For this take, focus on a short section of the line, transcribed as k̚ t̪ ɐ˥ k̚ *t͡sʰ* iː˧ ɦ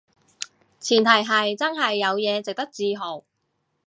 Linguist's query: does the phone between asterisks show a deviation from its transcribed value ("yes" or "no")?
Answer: yes